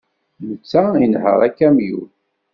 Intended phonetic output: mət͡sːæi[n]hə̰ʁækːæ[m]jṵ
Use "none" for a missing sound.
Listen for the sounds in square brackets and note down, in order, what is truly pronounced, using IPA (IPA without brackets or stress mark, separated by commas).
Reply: n, m